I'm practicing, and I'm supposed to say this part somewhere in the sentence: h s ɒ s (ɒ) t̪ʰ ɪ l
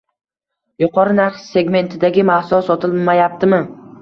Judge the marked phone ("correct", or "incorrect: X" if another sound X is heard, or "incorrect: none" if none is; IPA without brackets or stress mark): correct